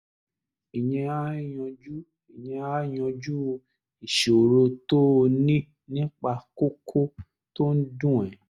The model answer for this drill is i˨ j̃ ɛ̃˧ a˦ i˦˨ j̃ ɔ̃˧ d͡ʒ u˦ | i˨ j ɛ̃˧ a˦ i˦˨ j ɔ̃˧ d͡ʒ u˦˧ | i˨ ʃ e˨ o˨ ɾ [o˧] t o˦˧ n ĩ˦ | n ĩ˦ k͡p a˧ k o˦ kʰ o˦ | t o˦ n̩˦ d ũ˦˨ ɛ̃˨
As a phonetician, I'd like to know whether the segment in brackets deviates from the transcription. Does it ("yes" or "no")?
no